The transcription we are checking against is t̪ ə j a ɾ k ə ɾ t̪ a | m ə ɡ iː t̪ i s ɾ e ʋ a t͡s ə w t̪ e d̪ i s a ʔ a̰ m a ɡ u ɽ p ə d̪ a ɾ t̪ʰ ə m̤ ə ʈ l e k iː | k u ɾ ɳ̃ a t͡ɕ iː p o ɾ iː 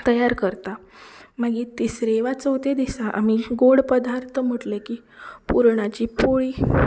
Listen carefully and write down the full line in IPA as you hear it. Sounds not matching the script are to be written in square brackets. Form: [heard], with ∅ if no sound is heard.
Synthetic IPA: t̪ ə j a ɾ k ə ɾ t̪ a | m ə ɡ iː t̪ i s ɾ e ʋ a t͡s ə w t̪ e d̪ i s a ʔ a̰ m [i] ɡ [o] ɽ p ə d̪ a ɾ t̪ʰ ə m̤ ə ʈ l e k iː | [p] u ɾ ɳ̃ a t͡ɕ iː p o [ɭ] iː

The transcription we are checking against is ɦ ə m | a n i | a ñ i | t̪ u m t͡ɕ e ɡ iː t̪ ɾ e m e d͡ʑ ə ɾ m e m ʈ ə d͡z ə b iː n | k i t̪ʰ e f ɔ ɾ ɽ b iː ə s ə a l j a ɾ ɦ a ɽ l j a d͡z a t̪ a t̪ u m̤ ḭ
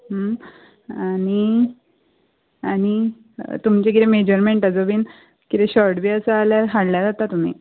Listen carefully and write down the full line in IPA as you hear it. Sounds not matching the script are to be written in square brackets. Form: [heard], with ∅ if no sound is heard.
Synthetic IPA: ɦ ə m | a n i | a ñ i | t̪ u m t͡ɕ e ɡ [i] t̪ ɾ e m e d͡ʑ ə ɾ m e [ɳ] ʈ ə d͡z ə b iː n | k i [t̪] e [ɕ] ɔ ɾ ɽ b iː ə s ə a l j a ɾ ɦ a ɽ l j a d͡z a t̪ a t̪ u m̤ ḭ

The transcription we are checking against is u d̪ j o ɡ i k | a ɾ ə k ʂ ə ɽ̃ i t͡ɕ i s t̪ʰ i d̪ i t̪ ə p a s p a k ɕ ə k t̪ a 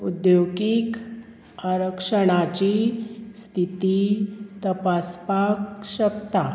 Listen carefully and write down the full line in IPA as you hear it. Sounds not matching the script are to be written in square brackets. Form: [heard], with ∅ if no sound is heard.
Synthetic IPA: u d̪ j o ɡ i k | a ɾ ə k ʂ ə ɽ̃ [a] t͡ɕ i s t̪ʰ i [t̪] i t̪ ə p a s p a k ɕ ə k t̪ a

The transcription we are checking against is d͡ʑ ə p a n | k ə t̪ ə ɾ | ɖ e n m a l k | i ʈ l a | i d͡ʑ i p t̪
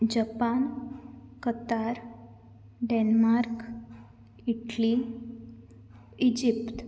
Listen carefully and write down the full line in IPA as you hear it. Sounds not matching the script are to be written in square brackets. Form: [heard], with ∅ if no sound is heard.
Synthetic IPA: d͡ʑ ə p a n | k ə t̪ [a] ɾ | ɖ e n m a [ɾ] k | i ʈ l [i] | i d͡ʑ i p t̪

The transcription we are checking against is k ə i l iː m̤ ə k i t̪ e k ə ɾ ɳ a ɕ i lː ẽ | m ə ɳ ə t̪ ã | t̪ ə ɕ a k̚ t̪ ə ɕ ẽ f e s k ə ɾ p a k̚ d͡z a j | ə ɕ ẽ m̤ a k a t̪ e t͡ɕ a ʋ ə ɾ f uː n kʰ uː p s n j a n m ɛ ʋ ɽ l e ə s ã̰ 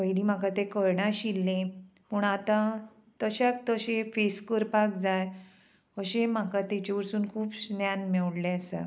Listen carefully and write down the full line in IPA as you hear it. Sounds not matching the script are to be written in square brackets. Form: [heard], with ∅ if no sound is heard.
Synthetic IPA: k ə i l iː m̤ [a] k [a] t̪ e k ə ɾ ɳ a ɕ i lː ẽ | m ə ɳ [a] t̪ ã | t̪ ə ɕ a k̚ t̪ ə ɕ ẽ f e s k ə ɾ p a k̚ d͡z a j | ə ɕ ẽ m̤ a k a t̪ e t͡ɕ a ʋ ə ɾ [s] uː n kʰ uː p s n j a n m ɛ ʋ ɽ l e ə s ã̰

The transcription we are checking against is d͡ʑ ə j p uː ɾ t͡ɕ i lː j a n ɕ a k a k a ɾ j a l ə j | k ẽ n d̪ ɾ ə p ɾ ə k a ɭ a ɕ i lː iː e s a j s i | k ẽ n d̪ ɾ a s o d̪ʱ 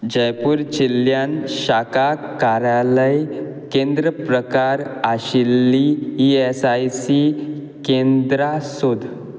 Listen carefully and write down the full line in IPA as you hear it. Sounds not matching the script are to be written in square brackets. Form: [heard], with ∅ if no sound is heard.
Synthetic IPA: d͡ʑ ə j p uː ɾ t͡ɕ i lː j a n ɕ a k a k a ɾ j a l ə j | k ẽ n d̪ ɾ ə p ɾ ə k a [ɾ] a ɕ i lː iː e s a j s i | k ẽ n d̪ ɾ a s o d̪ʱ

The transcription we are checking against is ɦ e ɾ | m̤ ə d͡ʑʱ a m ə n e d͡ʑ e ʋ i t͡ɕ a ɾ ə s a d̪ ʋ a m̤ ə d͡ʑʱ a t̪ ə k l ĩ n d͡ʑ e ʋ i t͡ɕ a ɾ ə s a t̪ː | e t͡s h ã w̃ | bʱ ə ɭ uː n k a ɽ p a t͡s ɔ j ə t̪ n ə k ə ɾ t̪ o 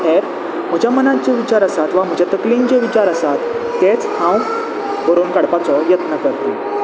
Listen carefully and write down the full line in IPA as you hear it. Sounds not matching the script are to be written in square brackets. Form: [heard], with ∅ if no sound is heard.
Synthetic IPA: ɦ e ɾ | m̤ ə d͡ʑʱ a m ə n [a] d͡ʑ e ʋ i t͡ɕ a ɾ ə s a [t̪] ʋ a m̤ ə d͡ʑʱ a t̪ ə k l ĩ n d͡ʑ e ʋ i t͡ɕ a ɾ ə s a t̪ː | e t͡s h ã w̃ | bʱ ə [ɾ] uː n k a ɽ p a t͡s ɔ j ə t̪ n ə k ə ɾ t̪ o

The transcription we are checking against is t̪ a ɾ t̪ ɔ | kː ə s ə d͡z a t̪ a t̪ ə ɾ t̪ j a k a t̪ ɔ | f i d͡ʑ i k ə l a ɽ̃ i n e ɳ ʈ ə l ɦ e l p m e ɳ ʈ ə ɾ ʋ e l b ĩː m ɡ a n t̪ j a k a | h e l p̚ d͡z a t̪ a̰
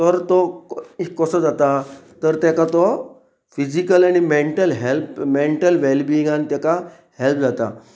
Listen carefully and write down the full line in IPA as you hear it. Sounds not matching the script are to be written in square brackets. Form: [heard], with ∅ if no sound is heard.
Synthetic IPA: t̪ [ə] ɾ t̪ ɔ | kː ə s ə d͡z a t̪ a t̪ ə ɾ t̪ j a k a t̪ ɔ | f i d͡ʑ i k ə l a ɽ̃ i [m] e ɳ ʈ ə l ɦ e l p m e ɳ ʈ ə [l] ʋ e l b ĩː [ŋ] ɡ a n t̪ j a k a | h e l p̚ d͡z a t̪ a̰

